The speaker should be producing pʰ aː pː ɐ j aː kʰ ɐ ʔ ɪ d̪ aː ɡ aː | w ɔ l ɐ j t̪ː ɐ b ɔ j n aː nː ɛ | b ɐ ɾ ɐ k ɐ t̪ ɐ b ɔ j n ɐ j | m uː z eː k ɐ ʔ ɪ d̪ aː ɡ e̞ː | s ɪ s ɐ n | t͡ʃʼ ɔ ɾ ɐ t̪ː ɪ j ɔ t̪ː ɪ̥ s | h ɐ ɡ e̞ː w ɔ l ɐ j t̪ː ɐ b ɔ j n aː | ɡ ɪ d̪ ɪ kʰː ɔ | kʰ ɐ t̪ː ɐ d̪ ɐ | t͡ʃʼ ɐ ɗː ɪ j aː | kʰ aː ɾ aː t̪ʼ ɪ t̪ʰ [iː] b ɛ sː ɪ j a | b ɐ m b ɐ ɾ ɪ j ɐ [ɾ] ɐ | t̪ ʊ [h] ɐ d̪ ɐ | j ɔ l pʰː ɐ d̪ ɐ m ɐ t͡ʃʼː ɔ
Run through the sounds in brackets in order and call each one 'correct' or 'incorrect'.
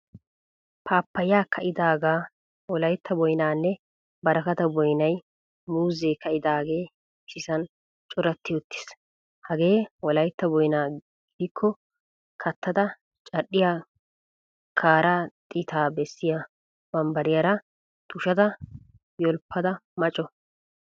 incorrect, correct, incorrect

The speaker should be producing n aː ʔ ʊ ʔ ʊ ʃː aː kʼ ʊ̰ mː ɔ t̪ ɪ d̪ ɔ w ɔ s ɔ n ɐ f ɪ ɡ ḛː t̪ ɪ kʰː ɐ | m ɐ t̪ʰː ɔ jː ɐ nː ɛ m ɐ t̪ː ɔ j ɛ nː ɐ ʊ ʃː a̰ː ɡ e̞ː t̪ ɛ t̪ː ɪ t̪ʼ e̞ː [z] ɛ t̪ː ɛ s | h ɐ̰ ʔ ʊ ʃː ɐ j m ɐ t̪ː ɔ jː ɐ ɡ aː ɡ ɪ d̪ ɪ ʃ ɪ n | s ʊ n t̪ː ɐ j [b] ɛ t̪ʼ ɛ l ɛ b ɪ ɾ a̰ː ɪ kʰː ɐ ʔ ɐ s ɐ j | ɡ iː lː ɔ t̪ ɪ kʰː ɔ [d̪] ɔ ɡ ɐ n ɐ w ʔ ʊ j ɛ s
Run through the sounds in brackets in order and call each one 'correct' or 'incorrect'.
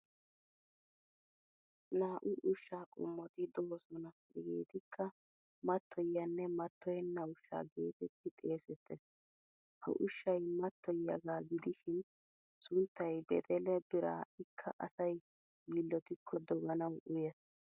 incorrect, correct, correct

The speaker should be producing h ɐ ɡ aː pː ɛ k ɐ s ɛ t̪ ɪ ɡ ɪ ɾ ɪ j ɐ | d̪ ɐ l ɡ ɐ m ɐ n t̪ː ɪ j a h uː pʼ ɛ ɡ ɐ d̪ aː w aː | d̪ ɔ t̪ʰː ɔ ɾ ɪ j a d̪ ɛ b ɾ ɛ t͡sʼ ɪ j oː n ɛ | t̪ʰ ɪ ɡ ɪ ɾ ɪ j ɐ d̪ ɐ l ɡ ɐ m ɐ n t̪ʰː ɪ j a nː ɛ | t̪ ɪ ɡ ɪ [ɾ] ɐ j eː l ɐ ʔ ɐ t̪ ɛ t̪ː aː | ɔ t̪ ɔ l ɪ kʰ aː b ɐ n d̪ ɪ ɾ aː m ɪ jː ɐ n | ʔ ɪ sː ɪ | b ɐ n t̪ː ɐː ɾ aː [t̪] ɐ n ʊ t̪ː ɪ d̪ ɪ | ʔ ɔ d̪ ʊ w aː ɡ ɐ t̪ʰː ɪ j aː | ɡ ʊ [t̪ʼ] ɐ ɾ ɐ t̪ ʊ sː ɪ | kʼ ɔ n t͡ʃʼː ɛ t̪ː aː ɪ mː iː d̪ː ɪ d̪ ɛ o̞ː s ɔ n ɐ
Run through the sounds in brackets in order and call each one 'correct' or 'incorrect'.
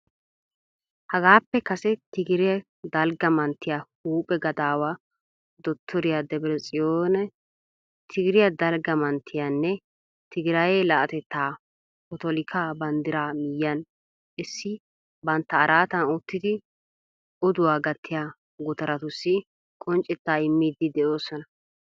correct, correct, incorrect

